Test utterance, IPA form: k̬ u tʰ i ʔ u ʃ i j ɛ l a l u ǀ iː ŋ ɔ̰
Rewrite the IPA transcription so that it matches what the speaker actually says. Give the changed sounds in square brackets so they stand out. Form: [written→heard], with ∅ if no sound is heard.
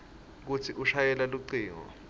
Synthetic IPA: k̬ u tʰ i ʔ u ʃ [i→a] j ɛ l a l u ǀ iː ŋ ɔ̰